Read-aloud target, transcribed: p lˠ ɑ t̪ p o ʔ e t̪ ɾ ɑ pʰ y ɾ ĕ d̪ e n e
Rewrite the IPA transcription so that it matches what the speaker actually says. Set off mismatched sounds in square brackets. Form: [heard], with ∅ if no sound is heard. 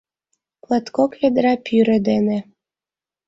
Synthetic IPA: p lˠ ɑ t̪ [k] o [k] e [d̪] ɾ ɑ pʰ y ɾ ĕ d̪ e n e